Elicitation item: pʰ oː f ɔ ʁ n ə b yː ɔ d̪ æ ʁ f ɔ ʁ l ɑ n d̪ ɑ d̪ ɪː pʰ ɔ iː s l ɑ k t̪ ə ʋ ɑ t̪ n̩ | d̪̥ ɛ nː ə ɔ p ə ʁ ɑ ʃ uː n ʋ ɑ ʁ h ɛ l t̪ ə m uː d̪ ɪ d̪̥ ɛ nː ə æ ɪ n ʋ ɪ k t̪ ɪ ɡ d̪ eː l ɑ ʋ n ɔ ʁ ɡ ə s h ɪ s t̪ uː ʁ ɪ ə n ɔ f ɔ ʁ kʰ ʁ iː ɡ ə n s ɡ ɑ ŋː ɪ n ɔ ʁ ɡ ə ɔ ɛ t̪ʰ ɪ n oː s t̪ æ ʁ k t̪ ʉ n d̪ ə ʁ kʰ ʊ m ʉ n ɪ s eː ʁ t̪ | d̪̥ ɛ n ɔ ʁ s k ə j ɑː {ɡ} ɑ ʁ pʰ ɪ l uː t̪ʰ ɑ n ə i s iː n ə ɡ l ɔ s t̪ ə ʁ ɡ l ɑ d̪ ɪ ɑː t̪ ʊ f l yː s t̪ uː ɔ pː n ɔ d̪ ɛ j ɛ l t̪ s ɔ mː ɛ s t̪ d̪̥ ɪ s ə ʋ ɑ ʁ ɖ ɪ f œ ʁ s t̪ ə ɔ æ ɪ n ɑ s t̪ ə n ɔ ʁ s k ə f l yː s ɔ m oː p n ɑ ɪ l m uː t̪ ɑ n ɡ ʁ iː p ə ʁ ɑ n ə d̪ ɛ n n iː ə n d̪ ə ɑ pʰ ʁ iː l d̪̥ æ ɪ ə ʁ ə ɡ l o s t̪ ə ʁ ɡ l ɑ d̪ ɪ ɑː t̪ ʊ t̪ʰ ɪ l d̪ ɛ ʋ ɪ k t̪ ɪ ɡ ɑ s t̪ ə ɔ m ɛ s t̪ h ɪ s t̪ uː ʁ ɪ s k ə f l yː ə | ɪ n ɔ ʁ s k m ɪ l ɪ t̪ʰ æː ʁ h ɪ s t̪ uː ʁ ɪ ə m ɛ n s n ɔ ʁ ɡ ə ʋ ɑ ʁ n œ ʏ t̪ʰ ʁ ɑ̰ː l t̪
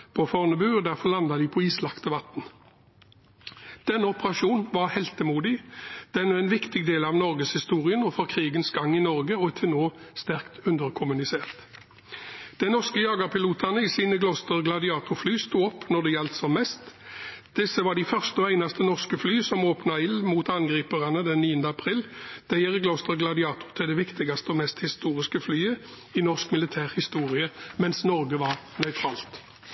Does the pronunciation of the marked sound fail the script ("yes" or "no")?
no